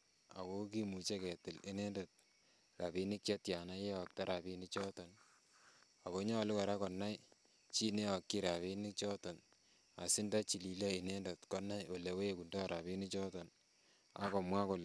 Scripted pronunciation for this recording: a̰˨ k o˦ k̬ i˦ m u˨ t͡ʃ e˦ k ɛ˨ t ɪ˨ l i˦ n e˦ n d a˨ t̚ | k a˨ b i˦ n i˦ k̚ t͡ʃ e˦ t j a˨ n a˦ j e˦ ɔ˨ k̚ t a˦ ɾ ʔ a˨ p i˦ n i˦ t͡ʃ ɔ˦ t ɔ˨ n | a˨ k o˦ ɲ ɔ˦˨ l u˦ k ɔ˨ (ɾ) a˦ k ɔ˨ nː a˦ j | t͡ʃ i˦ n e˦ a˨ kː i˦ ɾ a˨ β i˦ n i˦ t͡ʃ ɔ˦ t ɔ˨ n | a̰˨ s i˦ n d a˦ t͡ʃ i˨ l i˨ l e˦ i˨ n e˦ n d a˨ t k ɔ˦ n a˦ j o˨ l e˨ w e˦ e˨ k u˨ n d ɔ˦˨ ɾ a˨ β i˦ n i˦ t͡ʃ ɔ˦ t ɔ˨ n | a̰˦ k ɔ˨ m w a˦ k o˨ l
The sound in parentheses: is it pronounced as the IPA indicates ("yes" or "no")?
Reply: yes